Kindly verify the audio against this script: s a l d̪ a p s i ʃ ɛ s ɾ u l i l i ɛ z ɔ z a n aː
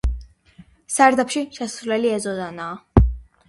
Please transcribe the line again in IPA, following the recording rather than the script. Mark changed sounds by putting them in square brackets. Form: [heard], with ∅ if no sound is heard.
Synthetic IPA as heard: s a [ɾ] d̪ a p [ʃ] i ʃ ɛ s ɾ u l [ɛ] l i ɛ z ɔ z a n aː